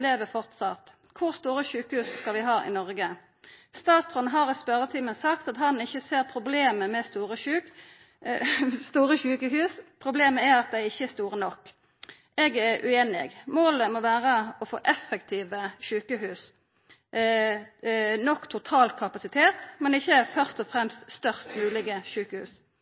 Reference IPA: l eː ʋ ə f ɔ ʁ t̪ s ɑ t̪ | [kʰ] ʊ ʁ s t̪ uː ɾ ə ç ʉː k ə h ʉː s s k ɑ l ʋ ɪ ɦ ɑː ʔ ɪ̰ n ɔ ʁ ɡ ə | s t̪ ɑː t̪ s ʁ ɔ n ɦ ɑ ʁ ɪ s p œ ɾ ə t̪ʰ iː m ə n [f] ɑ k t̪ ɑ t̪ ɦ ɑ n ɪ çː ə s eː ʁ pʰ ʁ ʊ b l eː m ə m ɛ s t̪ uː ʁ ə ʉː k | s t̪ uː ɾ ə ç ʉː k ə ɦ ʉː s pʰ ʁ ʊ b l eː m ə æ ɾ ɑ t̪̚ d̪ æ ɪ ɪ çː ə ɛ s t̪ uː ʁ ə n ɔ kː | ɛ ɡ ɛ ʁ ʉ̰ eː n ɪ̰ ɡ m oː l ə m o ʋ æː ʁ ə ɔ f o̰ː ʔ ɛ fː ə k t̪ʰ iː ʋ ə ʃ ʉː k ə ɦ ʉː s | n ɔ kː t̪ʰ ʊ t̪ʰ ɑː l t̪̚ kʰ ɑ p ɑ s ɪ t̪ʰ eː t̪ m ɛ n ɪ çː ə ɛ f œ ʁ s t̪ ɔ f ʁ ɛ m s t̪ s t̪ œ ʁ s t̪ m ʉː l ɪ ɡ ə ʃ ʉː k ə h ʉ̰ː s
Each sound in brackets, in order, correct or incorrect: correct, incorrect: s

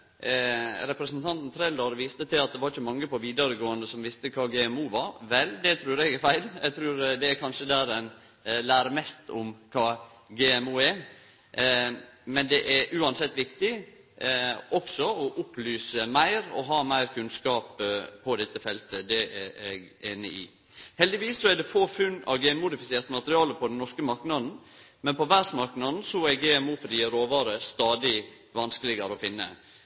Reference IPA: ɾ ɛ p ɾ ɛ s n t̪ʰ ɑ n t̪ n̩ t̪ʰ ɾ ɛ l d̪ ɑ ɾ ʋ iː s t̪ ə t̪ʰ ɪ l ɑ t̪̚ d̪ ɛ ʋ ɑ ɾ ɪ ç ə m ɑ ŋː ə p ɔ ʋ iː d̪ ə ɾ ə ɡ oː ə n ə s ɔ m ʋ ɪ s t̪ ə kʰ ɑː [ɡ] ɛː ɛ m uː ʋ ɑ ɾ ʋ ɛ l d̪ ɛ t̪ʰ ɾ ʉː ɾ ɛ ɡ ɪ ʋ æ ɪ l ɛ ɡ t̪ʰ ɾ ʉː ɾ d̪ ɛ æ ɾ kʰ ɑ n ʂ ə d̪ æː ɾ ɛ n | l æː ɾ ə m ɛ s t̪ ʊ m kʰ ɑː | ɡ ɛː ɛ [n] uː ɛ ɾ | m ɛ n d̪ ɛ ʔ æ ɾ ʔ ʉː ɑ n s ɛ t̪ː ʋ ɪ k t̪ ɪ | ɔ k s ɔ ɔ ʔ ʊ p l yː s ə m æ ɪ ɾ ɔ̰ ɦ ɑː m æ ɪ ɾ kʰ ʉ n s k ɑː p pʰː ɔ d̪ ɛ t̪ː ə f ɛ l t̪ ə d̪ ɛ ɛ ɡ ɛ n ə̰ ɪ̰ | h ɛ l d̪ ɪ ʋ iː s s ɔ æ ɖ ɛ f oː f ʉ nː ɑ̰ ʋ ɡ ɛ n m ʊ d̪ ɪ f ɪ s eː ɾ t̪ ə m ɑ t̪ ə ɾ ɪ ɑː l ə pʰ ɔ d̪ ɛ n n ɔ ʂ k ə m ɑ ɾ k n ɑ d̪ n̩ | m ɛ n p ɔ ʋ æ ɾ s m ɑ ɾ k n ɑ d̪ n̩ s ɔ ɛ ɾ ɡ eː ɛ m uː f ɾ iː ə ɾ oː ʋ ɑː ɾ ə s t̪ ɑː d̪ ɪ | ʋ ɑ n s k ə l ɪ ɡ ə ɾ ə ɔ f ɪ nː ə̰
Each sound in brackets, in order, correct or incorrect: correct, incorrect: m

